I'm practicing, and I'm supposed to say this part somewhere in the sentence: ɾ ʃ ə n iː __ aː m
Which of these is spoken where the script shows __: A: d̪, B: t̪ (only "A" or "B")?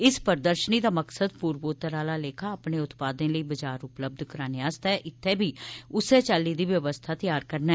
A